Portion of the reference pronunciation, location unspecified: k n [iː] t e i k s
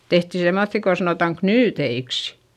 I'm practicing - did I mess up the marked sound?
yes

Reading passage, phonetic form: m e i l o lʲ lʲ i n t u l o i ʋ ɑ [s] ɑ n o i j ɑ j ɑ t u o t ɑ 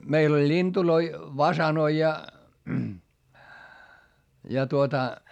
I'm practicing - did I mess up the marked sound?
no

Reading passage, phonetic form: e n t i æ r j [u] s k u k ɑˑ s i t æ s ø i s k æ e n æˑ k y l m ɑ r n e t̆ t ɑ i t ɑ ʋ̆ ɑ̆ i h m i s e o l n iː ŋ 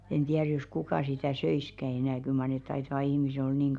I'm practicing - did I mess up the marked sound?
yes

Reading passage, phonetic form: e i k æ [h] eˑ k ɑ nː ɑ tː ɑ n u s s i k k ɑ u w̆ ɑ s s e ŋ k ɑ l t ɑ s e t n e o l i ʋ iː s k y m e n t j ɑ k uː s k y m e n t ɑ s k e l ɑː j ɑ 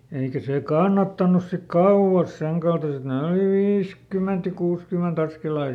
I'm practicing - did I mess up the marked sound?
yes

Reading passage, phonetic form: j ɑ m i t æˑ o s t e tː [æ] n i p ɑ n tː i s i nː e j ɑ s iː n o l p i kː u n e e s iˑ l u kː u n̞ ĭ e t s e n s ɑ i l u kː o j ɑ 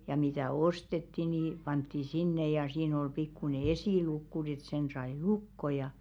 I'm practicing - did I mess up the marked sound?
yes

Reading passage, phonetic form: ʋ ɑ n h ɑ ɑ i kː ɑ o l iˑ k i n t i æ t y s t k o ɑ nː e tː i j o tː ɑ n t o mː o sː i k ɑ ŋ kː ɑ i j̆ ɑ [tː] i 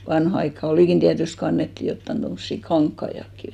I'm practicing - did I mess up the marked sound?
yes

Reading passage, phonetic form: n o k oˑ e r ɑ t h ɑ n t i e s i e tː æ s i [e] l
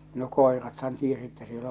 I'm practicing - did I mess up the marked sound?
no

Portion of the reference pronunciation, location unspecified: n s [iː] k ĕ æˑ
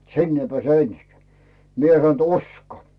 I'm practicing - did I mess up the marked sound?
yes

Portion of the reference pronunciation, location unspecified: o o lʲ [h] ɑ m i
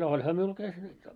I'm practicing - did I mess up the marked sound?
no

